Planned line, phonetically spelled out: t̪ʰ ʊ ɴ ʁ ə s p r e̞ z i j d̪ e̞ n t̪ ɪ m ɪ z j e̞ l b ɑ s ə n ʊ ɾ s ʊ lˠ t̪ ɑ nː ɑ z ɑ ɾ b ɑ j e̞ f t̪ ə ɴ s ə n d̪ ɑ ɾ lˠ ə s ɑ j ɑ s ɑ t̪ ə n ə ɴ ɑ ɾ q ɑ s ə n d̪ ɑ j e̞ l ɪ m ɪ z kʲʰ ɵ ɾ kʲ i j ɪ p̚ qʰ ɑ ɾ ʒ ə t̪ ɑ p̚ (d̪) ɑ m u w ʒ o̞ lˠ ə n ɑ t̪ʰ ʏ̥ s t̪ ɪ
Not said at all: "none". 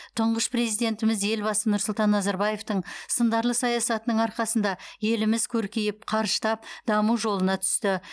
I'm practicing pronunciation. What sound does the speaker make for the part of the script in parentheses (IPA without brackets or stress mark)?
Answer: d̪